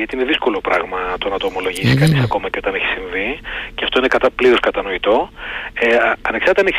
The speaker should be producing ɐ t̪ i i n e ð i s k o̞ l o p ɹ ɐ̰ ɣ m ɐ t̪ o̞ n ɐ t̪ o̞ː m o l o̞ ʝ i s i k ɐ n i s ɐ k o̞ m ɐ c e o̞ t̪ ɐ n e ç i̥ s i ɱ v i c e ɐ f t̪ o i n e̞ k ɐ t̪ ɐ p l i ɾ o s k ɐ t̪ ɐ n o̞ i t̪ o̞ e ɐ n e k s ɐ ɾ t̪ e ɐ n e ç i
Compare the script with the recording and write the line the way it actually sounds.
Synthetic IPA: ɐ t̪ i i n e ð i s k o̞ l o p ɾ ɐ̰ ɣ m ɐ t̪ o̞ n ɐ t̪ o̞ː m o l o̞ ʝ i s i k ɐ n i s ɐ k o̞ m ɐ c e o̞ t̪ ɐ n e ç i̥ s i ɱ v i c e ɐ f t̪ o i n e̞ k ɐ t̪ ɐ p l i ɾ o s k ɐ t̪ ɐ n o̞ i t̪ o̞ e ɐ n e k s ɐ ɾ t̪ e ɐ n e ç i